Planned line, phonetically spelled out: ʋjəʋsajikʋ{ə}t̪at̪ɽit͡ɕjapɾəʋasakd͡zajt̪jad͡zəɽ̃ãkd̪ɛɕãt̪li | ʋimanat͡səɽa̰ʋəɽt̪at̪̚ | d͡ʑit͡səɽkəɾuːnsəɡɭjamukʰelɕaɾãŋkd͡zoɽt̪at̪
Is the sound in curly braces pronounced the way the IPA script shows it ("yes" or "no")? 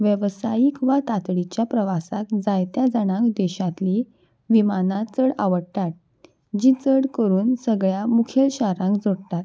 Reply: no